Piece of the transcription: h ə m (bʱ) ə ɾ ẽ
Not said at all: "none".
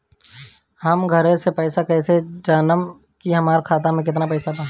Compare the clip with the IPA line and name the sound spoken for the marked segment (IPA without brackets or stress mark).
ɡʱ